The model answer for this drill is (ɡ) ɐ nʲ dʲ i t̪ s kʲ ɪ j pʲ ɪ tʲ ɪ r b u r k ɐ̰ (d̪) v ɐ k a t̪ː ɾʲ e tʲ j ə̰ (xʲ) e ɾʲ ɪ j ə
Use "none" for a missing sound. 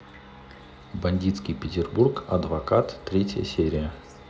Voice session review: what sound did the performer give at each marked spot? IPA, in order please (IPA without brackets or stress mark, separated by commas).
b, d̪, sʲ